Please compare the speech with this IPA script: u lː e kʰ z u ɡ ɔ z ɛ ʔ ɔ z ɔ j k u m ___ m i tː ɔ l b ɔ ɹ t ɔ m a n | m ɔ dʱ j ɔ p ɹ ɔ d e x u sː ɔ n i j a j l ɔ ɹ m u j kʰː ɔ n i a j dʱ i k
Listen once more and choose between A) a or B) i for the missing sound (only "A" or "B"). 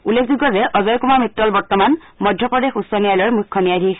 A